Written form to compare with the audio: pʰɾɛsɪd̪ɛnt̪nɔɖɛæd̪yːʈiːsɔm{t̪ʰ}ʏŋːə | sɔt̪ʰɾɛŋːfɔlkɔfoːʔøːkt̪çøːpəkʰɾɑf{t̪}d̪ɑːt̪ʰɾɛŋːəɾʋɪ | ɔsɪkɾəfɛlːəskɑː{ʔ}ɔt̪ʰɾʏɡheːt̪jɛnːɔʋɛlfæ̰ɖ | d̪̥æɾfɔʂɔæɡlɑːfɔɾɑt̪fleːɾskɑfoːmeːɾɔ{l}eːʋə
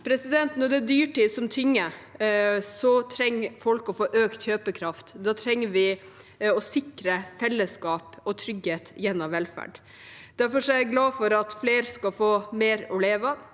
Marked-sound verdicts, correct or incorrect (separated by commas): correct, correct, incorrect, correct